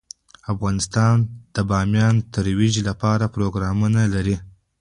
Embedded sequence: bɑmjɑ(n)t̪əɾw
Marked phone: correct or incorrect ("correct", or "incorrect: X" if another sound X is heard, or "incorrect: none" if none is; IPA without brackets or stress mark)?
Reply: correct